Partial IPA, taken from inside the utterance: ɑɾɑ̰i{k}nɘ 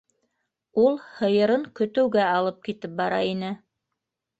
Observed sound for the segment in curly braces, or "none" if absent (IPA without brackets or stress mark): none